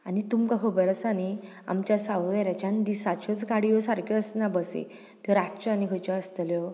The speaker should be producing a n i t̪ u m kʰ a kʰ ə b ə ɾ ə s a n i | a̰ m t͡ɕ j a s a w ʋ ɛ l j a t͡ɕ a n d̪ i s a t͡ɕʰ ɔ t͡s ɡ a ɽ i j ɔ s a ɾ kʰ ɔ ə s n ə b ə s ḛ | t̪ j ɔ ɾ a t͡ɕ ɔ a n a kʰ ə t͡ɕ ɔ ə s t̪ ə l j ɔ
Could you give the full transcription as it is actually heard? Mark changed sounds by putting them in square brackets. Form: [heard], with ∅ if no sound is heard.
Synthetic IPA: a n i t̪ u m [k] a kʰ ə b ə ɾ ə s a n i | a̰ m t͡ɕ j a s a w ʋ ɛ [ɾ] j a t͡ɕ a n d̪ i s a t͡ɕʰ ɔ t͡s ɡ a ɽ i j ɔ s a ɾ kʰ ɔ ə s n [a] b ə s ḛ | t̪ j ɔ ɾ a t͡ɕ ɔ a n [i] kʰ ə t͡ɕ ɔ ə s t̪ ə l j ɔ